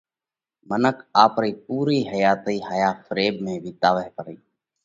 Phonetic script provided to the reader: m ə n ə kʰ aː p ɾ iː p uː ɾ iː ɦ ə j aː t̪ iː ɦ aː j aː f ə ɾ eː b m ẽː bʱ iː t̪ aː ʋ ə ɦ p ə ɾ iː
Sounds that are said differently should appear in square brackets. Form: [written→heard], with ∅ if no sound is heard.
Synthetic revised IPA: m ə n ə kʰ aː p ɾ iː p uː ɾ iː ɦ ə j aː t̪ iː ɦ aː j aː f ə ɾ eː b m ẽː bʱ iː t̪ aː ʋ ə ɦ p ə ɾ iː